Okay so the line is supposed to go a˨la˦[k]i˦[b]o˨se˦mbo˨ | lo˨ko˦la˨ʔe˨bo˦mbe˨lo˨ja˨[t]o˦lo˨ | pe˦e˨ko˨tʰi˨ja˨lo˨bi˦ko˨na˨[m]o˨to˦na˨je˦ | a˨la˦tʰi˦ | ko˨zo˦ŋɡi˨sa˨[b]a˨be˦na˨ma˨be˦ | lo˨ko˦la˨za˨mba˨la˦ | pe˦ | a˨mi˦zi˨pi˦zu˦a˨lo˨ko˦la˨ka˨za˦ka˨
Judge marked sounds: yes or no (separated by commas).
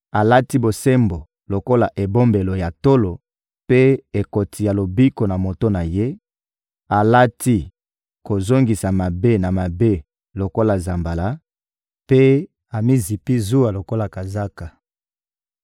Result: no, yes, yes, yes, no